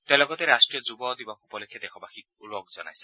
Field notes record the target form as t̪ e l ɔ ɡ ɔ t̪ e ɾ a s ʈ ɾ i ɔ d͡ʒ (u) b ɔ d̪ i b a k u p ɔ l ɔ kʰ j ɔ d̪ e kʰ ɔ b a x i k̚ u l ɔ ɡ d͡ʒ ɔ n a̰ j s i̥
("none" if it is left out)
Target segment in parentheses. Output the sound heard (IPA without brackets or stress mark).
u